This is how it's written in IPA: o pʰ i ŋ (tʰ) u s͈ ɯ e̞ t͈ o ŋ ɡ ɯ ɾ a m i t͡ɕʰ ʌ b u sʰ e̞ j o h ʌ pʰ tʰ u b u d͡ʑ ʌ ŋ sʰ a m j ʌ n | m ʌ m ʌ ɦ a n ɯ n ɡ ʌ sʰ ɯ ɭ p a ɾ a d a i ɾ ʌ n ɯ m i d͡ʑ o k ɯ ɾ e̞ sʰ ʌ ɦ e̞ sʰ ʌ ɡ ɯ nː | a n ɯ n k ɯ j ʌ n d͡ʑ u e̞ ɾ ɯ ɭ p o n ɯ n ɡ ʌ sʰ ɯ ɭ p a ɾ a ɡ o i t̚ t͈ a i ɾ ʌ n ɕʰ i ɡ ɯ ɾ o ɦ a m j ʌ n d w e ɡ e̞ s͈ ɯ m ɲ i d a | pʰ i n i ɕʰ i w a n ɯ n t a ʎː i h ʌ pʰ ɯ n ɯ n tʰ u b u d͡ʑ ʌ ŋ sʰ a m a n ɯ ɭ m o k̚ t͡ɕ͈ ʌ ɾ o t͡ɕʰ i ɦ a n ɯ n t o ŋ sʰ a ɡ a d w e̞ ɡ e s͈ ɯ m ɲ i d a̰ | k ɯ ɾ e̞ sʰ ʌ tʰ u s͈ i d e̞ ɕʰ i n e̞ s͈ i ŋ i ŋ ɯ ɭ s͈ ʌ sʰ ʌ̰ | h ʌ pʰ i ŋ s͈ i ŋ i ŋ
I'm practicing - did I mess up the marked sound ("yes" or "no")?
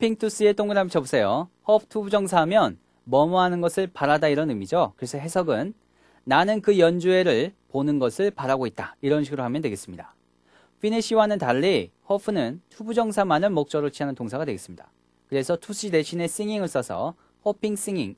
no